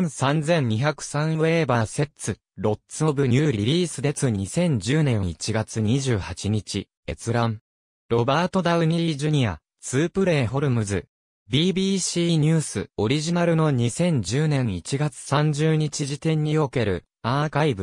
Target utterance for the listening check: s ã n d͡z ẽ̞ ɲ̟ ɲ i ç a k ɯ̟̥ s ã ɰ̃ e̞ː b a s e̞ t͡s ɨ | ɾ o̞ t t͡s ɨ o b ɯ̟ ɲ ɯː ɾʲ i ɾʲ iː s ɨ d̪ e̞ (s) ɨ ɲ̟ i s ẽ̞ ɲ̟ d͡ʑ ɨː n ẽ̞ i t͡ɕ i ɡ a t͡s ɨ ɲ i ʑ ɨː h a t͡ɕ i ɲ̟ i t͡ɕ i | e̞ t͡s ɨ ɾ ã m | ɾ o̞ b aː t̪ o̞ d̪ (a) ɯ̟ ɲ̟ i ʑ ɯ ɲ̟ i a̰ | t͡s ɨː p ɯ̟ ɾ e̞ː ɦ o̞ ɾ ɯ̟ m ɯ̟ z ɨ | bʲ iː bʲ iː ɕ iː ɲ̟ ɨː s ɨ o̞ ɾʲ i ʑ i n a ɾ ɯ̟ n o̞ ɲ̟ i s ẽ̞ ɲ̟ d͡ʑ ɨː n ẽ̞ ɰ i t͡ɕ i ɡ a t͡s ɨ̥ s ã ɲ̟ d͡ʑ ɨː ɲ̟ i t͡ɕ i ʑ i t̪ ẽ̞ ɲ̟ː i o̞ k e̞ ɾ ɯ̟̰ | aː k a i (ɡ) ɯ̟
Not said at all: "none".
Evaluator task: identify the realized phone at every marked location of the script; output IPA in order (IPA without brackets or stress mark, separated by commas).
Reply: t͡s, a, b